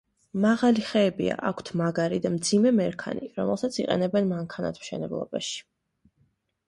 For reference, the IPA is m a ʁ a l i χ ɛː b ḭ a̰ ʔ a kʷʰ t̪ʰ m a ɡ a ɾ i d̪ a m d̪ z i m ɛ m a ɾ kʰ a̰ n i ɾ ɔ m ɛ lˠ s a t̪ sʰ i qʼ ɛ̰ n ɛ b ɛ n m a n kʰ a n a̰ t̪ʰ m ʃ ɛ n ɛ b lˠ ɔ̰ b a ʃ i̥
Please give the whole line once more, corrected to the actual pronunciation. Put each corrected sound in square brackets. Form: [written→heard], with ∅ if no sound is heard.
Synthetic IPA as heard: m a ʁ a l i χ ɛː b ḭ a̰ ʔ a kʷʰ t̪ʰ m a ɡ a ɾ i d̪ a m d̪ z i m ɛ m [a→ɛ] ɾ kʰ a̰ n i ɾ ɔ m ɛ lˠ s a t̪ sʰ i qʼ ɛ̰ n ɛ b ɛ n m a [n→ŋ] kʰ a n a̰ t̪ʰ m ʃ ɛ n ɛ b lˠ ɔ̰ b a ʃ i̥